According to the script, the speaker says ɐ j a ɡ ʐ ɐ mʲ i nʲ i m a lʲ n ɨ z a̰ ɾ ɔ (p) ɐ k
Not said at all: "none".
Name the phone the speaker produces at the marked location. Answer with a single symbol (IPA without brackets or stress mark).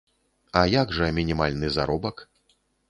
b